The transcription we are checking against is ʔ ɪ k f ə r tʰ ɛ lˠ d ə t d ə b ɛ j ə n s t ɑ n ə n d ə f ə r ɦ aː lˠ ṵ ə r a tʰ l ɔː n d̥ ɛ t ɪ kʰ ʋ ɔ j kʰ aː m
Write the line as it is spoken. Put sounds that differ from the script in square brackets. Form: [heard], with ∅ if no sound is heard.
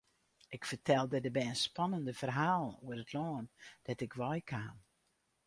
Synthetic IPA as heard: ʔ ɪ k f ə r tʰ ɛ lˠ d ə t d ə b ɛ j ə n s [p] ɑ n ə n d ə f ə r ɦ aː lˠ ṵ ə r [ə] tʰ l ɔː n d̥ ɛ t ɪ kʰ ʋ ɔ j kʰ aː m